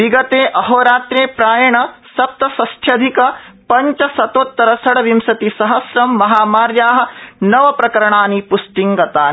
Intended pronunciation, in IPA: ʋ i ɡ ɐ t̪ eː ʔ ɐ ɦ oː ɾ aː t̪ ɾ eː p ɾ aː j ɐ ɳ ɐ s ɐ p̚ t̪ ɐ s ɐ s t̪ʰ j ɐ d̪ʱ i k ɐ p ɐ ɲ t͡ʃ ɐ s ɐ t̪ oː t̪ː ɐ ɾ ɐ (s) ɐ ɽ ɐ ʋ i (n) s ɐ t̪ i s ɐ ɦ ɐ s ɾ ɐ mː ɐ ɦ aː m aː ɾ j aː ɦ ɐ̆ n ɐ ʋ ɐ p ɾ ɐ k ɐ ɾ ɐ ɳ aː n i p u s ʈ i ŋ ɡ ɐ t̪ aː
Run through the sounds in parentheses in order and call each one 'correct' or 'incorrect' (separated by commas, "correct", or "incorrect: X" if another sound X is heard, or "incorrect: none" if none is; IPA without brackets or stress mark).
correct, incorrect: m